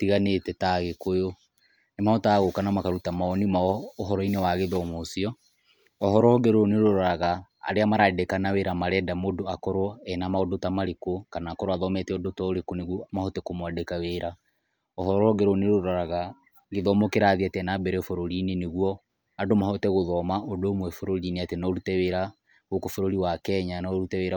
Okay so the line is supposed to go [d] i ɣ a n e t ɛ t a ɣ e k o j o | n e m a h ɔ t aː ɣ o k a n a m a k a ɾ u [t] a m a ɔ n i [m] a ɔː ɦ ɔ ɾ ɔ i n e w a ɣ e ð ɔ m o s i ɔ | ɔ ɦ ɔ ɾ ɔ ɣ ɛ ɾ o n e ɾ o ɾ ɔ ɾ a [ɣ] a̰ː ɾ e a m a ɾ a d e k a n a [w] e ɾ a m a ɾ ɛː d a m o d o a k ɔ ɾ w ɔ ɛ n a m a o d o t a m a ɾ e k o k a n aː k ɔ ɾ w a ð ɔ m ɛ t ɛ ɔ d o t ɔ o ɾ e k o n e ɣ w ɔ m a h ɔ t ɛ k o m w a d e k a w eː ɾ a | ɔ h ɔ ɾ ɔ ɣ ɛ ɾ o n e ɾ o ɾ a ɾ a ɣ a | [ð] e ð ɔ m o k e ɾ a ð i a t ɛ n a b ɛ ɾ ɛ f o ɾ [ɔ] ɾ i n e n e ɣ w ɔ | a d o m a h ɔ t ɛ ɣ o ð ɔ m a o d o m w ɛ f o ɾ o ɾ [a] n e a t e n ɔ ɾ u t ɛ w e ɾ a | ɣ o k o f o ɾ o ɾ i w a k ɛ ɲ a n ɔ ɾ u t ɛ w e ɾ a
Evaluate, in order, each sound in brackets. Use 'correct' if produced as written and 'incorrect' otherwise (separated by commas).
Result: incorrect, correct, correct, correct, correct, incorrect, incorrect, incorrect